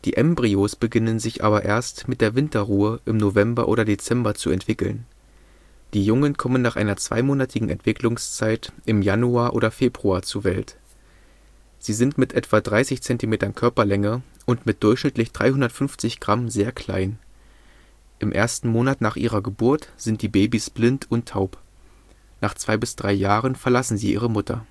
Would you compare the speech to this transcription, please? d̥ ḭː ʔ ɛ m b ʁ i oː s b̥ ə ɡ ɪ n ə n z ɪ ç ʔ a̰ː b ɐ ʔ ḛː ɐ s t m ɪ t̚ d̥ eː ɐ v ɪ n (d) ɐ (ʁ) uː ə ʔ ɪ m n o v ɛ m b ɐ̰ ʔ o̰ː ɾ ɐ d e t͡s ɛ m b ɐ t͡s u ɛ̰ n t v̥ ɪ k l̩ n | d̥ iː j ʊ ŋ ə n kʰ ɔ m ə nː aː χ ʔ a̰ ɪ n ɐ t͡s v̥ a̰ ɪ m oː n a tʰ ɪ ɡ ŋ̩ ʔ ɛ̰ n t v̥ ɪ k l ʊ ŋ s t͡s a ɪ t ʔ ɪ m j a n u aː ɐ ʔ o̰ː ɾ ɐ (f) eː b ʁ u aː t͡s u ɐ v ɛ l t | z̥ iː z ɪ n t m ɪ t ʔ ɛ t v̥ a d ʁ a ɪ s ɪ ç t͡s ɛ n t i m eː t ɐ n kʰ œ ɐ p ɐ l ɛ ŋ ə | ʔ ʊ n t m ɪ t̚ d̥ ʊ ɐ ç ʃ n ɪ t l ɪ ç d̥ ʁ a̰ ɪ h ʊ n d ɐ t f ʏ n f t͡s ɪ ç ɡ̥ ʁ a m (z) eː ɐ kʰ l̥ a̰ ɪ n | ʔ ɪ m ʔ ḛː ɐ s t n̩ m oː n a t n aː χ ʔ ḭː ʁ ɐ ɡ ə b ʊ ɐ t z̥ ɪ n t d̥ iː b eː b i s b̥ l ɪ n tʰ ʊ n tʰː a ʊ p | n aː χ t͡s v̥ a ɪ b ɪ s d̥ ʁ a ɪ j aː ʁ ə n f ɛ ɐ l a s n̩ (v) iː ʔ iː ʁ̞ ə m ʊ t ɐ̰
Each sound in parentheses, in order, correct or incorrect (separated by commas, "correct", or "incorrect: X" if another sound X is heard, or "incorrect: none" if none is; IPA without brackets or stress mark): incorrect: t, correct, correct, correct, incorrect: z